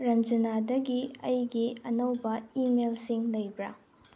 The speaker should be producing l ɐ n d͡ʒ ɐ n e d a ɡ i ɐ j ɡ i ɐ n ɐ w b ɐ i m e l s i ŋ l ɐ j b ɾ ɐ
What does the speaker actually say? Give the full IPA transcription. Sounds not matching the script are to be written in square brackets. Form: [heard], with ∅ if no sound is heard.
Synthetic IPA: [ɾ] ɐ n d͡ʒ ɐ n [a] d [ɐ] ɡ i ɐ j ɡ i ɐ n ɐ w b ɐ i m e l s i ŋ l ɐ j b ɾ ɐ